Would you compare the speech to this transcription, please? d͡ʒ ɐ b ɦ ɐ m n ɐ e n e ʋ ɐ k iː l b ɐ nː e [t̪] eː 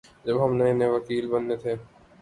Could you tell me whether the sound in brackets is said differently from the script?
yes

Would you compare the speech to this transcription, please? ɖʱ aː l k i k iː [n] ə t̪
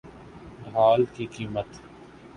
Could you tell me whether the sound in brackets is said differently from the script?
yes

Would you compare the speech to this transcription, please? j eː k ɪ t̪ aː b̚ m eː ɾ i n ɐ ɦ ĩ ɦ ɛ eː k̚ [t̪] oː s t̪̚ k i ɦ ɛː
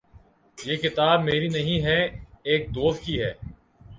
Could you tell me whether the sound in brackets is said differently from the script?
yes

